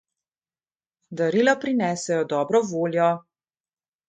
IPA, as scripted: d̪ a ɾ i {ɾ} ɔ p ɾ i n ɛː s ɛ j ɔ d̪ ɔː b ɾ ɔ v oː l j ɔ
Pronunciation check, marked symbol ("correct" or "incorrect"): incorrect